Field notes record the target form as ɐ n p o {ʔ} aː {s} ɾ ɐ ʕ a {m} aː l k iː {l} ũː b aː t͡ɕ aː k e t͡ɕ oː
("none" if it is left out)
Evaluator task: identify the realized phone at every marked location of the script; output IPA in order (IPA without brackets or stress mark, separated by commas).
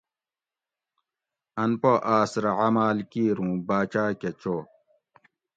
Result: ʔ, s, m, ɾ